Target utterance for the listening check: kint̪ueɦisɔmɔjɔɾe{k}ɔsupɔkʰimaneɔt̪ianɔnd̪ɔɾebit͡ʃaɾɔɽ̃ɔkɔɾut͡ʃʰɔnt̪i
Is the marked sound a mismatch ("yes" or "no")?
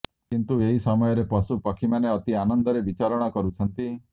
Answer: yes